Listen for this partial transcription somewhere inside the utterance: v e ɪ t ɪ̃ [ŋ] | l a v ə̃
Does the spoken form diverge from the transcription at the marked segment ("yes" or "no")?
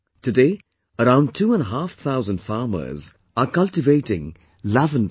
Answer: no